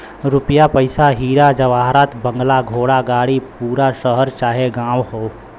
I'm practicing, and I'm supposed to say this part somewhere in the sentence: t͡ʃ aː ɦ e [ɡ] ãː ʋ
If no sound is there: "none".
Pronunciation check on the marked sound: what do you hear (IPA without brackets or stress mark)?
ɡ